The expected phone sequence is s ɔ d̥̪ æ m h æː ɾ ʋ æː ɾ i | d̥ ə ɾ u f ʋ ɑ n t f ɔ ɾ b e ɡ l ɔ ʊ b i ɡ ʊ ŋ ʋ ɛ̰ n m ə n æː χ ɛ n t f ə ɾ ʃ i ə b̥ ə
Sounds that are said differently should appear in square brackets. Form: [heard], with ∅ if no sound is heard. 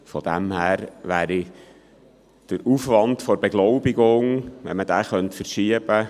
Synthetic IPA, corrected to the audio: [f] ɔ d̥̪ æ m h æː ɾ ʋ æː ɾ i | d̥ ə ɾ u f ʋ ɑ n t f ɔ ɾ b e ɡ l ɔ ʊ b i ɡ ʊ ŋ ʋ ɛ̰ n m ə [d] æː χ [œ] n t f ə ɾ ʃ i ə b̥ ə